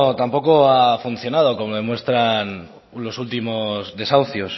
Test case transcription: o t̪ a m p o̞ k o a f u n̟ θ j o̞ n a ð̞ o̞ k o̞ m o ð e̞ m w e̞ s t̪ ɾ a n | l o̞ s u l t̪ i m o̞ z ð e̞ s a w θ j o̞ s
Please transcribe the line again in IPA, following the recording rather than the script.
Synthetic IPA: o t̪ a m p o̞ k o a f u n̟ θ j o̞ n a ð̞ o̞ k o̞ m o ð e̞ m w e̞ s t̪ ɾ a n | l o̞ s u l t̪ i m o̞ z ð e̞ s a w θ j o̞ s